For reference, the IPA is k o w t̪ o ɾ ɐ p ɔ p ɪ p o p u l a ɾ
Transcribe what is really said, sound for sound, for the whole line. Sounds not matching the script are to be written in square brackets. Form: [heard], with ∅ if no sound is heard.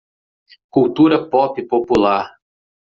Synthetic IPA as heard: k [u] w t̪ [u] ɾ ɐ p ɔ p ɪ p o p u l a ɾ